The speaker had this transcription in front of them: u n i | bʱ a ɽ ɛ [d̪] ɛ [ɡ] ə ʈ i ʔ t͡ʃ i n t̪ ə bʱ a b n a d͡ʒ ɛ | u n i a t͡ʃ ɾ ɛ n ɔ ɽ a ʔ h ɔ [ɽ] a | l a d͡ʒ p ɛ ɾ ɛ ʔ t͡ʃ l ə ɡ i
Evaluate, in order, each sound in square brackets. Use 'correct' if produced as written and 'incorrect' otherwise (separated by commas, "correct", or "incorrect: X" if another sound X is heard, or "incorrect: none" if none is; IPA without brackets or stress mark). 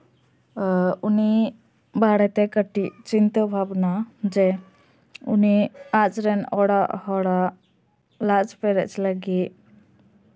incorrect: t̪, incorrect: k, correct